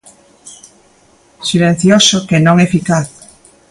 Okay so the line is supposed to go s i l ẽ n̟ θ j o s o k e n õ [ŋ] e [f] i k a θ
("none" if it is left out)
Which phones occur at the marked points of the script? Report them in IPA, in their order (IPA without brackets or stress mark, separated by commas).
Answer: ŋ, f